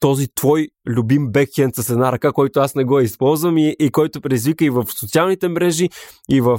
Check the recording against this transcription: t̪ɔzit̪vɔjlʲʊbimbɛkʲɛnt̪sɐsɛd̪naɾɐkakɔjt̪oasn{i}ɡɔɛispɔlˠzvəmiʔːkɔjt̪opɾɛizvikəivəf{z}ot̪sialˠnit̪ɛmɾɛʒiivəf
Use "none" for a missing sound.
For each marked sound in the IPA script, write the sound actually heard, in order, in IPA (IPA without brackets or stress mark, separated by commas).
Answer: ɛ, s